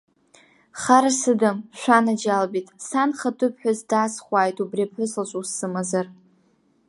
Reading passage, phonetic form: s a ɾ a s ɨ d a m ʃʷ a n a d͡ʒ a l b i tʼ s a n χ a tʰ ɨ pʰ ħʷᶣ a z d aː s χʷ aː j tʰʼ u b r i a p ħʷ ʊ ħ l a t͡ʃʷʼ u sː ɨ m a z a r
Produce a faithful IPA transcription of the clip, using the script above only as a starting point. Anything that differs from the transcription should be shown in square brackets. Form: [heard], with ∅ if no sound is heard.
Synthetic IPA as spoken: [χ] a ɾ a s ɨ d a m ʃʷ a n a d͡ʒ a l b i tʼ s a n χ a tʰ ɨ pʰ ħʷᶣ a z d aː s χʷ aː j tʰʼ u b r i a p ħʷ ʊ [s] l a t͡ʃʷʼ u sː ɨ m a z a r